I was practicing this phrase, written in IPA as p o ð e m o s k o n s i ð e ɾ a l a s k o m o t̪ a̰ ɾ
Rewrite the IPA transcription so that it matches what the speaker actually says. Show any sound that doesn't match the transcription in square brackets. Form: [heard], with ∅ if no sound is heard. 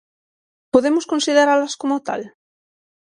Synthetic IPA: p o ð e m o s k o n s i ð e ɾ a l a s k o m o t̪ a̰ [l]